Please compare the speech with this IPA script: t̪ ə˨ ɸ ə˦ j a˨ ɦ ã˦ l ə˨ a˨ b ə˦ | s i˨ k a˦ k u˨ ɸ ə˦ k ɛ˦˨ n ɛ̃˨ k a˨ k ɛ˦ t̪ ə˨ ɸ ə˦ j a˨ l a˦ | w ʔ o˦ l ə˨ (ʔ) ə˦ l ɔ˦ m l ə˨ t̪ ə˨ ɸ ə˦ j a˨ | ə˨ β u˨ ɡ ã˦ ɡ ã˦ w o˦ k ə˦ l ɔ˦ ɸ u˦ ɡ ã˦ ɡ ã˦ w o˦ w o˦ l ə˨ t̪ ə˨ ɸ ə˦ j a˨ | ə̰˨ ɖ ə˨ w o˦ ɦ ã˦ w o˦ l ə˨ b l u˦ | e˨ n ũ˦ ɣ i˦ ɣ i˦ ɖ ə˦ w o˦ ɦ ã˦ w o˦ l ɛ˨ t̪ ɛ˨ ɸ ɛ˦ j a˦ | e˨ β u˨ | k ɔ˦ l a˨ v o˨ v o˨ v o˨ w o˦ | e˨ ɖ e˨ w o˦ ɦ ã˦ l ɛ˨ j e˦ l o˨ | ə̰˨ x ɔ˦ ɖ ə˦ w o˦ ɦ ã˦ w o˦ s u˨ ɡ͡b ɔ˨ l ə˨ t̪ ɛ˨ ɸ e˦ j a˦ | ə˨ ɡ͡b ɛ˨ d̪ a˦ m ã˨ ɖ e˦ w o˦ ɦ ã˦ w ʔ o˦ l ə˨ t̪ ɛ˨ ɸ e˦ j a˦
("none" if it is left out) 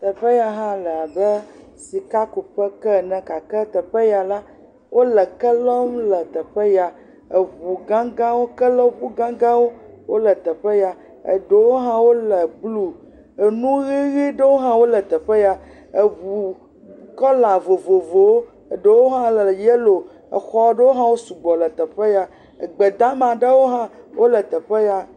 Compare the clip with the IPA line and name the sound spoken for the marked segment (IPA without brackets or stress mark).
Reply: k